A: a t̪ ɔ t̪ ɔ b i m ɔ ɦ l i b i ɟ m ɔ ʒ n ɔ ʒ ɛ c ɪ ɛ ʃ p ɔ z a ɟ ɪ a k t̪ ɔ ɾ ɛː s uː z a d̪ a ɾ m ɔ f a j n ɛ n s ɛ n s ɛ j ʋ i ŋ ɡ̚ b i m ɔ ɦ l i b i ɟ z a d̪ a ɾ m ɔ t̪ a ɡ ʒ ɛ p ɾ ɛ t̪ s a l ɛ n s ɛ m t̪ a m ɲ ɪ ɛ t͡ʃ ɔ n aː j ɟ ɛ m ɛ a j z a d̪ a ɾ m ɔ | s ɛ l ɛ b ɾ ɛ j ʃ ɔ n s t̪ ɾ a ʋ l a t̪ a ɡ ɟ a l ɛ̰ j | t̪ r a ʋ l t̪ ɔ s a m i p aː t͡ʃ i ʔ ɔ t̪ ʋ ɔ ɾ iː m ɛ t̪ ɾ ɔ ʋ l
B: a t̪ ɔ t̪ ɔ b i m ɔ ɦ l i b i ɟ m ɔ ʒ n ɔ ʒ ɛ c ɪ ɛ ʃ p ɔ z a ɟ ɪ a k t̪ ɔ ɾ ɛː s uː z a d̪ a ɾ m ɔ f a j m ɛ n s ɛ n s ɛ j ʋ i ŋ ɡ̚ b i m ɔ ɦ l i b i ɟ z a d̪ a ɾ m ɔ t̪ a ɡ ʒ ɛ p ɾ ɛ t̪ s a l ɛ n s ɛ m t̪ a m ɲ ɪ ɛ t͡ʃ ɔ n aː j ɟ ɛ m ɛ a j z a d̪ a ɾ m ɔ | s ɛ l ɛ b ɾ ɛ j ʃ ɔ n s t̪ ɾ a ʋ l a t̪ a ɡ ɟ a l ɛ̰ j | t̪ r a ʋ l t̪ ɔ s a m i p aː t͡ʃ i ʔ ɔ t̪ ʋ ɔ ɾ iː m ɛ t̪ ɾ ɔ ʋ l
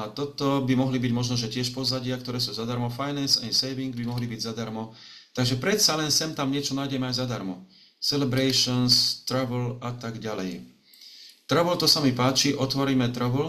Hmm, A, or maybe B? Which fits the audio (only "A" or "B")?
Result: A